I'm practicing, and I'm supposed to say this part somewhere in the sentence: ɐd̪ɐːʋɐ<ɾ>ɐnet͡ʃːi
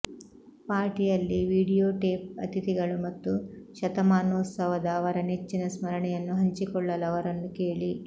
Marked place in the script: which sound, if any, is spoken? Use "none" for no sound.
ɾ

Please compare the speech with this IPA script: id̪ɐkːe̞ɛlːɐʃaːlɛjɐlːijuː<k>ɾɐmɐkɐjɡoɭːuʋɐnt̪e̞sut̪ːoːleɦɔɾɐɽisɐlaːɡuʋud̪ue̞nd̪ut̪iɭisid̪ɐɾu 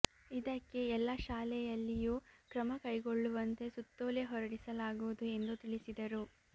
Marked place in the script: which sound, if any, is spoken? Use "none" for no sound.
k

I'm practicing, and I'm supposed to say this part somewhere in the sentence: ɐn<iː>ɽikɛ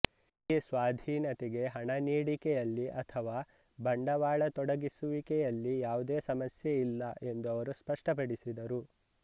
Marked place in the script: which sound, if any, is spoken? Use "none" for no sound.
iː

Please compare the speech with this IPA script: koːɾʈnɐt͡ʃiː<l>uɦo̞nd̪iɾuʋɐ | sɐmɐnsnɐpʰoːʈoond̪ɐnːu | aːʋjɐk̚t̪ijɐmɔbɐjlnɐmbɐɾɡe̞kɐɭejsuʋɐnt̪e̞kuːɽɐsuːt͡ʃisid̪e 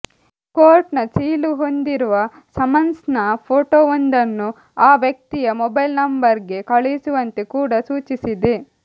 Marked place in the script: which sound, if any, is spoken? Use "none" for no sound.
l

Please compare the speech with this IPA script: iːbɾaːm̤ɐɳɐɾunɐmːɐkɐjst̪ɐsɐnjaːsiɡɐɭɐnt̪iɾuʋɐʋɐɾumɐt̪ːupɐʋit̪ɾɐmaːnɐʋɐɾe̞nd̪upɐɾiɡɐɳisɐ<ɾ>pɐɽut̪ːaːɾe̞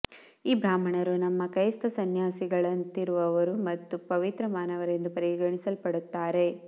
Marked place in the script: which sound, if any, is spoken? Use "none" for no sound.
l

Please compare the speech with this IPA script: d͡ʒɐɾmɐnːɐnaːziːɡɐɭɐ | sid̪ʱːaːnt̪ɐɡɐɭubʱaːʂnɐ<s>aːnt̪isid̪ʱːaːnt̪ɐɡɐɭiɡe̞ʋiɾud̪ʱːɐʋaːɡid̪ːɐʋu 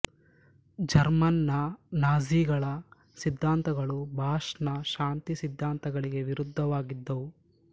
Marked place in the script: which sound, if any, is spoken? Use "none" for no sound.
ʃ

